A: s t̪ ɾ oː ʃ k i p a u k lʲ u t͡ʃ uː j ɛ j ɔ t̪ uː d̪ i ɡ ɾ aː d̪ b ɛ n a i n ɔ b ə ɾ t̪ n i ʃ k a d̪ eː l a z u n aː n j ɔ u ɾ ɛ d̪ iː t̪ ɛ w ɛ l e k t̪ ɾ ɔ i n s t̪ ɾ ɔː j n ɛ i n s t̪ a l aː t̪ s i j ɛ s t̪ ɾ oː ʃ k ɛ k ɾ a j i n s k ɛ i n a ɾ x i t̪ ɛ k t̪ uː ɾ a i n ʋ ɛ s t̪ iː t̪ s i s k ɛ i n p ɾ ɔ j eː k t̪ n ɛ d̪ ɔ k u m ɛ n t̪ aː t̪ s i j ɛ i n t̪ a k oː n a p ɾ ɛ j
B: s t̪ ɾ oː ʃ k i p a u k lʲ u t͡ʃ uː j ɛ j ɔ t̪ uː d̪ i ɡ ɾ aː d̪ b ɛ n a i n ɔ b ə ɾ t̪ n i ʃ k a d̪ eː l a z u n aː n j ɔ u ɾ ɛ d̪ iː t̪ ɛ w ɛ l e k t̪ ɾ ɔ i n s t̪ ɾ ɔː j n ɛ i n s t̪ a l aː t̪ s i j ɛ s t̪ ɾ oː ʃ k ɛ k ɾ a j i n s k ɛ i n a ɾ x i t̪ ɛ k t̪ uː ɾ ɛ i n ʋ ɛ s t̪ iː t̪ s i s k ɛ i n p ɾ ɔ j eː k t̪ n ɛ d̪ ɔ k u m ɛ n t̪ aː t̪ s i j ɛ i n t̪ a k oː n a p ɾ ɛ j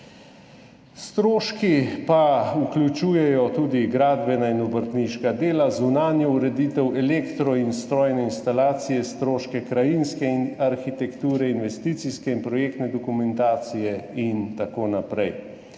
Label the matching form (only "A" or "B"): B